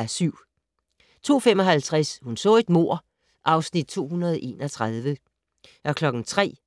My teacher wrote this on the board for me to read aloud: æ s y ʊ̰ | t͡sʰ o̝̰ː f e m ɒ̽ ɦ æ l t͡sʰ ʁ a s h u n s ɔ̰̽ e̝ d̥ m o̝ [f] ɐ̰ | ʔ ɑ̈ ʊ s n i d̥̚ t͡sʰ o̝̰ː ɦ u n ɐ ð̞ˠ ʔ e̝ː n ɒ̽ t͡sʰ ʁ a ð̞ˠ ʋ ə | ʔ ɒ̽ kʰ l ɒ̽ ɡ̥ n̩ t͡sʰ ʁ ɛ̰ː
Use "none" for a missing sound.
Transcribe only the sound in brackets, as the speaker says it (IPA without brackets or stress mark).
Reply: none